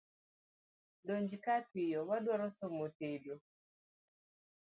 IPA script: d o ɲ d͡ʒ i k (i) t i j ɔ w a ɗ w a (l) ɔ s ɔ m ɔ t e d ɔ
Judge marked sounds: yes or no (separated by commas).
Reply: no, no